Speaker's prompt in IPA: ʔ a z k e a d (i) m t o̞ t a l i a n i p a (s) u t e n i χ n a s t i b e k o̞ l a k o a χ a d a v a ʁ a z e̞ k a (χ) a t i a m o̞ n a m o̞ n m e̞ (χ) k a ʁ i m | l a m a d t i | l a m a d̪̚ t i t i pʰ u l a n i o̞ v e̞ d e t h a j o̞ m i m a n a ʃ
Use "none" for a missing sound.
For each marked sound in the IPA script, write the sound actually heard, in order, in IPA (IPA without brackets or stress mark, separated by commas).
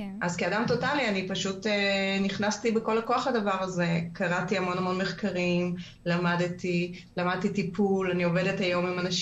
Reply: a, ʃ, ʁ, χ